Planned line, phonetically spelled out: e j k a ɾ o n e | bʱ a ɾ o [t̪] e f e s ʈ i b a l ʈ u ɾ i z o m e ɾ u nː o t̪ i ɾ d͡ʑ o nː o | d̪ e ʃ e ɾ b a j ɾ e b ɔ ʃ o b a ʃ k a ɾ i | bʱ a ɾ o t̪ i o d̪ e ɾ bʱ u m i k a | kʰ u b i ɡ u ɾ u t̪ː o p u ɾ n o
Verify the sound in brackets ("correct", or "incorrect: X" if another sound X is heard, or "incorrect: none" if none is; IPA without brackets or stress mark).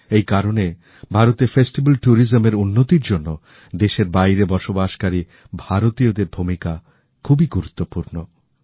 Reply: correct